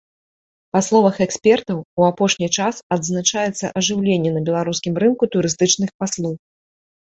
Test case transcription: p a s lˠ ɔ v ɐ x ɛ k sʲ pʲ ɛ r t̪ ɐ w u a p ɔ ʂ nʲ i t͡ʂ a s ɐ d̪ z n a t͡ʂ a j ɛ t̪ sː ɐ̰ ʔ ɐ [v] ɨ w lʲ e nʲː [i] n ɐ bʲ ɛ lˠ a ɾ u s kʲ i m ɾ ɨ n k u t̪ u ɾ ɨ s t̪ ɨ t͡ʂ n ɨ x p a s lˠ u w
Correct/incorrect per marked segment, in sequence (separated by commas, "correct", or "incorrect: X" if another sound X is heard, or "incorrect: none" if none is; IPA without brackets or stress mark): incorrect: ʐ, incorrect: ɛ